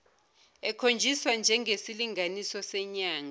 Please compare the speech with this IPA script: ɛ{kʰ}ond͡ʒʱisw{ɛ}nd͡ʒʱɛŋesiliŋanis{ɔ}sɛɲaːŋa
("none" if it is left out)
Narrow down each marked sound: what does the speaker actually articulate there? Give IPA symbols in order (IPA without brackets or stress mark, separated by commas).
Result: kʰ, a, ɔ